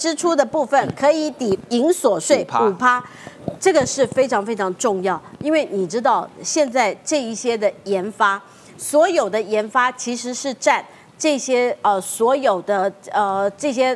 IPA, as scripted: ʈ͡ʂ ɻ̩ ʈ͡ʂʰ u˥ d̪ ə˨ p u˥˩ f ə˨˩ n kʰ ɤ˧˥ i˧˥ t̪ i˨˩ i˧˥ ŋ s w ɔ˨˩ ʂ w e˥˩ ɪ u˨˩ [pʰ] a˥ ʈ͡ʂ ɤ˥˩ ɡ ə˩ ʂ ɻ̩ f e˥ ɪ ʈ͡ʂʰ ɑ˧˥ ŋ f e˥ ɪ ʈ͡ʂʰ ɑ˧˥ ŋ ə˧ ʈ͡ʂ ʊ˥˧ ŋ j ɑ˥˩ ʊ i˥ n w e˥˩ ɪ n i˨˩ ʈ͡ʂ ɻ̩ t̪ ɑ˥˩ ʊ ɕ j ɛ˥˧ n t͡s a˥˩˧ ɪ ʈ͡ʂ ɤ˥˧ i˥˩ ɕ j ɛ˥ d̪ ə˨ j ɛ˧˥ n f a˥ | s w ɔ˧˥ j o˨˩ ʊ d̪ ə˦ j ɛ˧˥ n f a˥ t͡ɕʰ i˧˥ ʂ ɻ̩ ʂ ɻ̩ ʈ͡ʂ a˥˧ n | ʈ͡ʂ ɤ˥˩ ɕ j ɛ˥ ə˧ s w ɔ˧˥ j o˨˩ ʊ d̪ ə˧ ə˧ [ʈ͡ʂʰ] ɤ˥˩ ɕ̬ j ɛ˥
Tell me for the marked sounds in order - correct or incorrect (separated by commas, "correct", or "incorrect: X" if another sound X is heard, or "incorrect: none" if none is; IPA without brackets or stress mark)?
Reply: correct, incorrect: ʈ͡ʂ